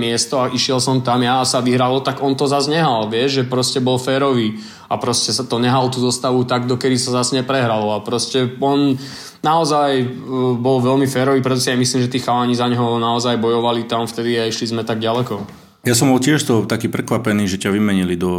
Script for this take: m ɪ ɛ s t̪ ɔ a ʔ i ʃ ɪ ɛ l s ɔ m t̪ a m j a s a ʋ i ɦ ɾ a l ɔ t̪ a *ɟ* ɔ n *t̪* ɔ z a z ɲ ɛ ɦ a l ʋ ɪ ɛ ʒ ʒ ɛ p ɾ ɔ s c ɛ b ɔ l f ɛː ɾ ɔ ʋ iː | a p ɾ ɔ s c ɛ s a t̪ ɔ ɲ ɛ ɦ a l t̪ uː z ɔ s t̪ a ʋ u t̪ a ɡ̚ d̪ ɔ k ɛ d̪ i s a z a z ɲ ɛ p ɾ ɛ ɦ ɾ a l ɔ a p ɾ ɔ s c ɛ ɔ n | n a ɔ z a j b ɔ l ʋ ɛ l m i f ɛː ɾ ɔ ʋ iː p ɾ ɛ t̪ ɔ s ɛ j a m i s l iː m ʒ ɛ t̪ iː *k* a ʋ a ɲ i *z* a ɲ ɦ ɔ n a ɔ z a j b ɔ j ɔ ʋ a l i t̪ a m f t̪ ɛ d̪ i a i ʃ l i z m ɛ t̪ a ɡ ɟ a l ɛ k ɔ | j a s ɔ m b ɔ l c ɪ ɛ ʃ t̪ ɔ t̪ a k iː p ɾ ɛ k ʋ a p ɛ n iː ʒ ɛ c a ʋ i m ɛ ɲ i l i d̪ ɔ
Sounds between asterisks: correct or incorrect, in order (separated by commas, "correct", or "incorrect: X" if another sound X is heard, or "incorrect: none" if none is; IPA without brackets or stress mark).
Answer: incorrect: ɡ, correct, incorrect: x, correct